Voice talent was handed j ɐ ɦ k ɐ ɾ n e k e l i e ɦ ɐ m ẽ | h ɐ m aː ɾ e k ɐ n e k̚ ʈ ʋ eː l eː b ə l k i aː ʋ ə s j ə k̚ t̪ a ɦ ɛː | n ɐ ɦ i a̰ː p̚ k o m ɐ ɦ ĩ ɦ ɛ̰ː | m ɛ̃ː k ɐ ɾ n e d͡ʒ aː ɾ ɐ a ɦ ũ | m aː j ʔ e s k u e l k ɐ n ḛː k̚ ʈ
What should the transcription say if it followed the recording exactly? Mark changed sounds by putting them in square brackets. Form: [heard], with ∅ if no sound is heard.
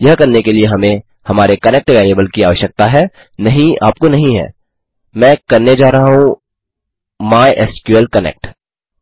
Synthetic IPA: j ɐ ɦ k ɐ ɾ n e k e l i e ɦ ɐ m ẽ | h ɐ m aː ɾ e k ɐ n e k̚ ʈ ʋ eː l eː b ə l k i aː ʋ ə [ʃ] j ə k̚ t̪ a ɦ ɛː | n ɐ ɦ [ĩ] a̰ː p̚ k o [n] ɐ ɦ ĩ ɦ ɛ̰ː | m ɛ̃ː k ɐ ɾ n e d͡ʒ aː ɾ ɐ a ɦ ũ | m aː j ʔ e s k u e l k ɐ n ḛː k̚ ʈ